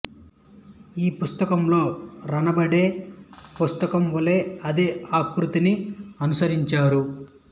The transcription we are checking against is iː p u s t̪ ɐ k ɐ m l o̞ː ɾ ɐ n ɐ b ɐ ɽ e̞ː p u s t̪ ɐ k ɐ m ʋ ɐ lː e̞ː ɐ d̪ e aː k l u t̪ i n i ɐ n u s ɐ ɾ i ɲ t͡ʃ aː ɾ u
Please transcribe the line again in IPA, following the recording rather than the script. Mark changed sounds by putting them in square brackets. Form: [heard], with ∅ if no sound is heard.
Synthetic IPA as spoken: iː p u s t̪ ɐ k ɐ m l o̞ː ɾ ɐ n ɐ b ɐ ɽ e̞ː p u s t̪ ɐ k ɐ m ʋ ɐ [l] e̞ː ɐ d̪ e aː k [ɾ] u t̪ i n i ɐ n u s ɐ ɾ i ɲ t͡ʃ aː ɾ u